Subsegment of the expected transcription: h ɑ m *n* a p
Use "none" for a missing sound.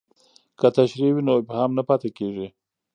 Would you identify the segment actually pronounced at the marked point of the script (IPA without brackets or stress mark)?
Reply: n